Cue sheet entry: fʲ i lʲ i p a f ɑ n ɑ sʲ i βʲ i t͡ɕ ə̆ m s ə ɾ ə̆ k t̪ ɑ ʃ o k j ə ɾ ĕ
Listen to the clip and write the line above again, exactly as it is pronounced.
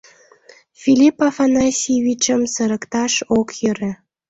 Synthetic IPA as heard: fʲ i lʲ i p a f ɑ n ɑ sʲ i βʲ i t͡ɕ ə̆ m s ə ɾ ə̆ k t̪ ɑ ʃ o k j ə ɾ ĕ